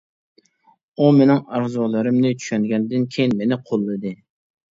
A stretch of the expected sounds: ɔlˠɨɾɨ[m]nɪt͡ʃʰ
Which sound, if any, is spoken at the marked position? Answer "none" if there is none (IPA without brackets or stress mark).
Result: m